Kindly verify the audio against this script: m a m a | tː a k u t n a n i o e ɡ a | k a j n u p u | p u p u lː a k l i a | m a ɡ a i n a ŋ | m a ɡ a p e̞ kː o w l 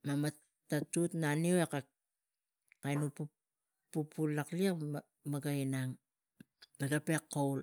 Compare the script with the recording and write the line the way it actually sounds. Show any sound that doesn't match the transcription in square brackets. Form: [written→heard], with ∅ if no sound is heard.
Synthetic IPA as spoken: m a m a | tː a [k→t] u t n a n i o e [ɡ→k] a | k a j n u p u | p u p u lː a k l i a | m a ɡ a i n a ŋ | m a ɡ a p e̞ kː o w l